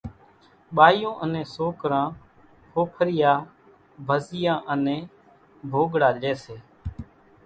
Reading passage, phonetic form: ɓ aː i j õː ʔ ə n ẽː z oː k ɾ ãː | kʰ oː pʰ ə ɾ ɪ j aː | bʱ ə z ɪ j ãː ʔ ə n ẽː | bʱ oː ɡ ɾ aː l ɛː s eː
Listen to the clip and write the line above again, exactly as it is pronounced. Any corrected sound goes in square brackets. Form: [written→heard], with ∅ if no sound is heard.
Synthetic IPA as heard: ɓ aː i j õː ʔ ə n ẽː [z→s] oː k ɾ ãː | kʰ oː pʰ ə ɾ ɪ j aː | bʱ ə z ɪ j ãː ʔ ə n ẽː | bʱ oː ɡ [ɾ→ɽ] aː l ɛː s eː